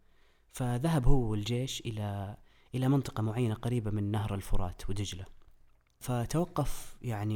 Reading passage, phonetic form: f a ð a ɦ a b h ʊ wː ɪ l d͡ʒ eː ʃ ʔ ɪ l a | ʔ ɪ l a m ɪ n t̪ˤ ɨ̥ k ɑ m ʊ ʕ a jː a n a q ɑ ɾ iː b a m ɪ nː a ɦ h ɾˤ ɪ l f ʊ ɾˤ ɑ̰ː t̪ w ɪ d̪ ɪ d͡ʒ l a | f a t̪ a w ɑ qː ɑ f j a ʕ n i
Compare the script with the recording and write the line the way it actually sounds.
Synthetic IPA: f a ð a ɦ a b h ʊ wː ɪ l d͡ʒ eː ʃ ʔ ɪ l a | ʔ ɪ l a m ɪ n t̪ˤ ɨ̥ q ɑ m ʊ ʕ a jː a n a q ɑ ɾ iː b a m ɪ nː a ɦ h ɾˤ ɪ l f ʊ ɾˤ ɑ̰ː t̪ w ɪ d̪ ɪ d͡ʒ l a | f a t̪ a w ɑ qː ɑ f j a ʕ n i